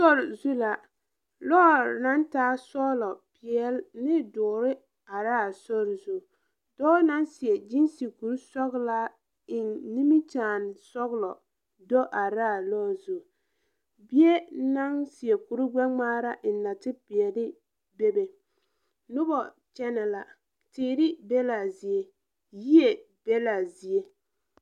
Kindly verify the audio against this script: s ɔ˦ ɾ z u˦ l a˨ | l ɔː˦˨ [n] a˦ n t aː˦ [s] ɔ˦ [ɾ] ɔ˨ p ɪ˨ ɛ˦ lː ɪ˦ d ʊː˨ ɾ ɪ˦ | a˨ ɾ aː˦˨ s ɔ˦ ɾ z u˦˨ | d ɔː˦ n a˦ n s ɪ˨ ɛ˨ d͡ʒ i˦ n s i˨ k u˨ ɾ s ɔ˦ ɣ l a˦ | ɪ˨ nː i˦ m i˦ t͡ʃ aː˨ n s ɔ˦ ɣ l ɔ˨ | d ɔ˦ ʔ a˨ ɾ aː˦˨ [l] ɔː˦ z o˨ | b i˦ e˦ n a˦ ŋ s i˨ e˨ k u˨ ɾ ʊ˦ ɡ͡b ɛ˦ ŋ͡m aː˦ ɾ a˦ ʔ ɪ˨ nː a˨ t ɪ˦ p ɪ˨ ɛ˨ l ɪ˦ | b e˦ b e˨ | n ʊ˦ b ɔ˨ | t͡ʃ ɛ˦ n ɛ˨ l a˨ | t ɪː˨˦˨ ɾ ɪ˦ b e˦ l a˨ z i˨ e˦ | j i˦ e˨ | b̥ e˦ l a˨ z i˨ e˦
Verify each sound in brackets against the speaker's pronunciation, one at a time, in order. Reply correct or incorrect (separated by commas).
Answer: correct, correct, incorrect, correct